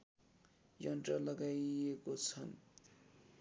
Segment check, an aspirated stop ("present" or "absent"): present